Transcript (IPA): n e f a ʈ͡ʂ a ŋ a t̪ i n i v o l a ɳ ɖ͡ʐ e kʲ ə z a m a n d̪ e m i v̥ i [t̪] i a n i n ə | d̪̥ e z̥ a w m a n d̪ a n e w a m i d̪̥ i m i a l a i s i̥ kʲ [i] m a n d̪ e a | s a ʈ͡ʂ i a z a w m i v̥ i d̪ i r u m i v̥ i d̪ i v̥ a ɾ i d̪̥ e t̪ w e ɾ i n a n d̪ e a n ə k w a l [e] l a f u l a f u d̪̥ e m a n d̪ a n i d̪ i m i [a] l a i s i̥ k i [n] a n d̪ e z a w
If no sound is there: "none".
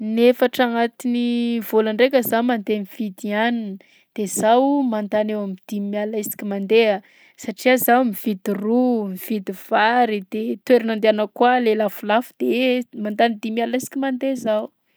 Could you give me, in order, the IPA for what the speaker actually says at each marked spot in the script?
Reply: d̪, i, e, a, m

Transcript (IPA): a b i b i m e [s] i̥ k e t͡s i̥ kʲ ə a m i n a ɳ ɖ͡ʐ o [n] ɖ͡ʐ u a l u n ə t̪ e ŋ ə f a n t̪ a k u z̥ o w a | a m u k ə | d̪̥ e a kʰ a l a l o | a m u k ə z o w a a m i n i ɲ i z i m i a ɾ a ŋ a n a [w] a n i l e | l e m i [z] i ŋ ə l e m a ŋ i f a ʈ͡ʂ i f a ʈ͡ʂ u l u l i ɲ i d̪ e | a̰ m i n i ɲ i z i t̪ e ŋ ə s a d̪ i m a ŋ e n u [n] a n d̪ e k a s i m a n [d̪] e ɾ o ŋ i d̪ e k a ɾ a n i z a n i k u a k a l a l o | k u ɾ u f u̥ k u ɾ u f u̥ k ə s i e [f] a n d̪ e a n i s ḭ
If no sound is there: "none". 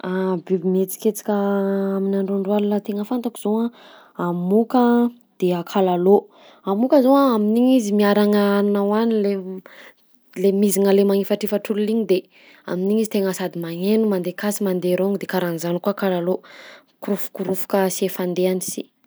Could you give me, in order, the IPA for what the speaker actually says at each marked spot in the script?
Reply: t͡s, ɳ, w, z, m, d̪, f

